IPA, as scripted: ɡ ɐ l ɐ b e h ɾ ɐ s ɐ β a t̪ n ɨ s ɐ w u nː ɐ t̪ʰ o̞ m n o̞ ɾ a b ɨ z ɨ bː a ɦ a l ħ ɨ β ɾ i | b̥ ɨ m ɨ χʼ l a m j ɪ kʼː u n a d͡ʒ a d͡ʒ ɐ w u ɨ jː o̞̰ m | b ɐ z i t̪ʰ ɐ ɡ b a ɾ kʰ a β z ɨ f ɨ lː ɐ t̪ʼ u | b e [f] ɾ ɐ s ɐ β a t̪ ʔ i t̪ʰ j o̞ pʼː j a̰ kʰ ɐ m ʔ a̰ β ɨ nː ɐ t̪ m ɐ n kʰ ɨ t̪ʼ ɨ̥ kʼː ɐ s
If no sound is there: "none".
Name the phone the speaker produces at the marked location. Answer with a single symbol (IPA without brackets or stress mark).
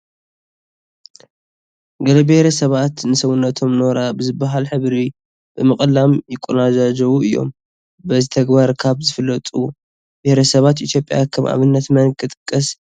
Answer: h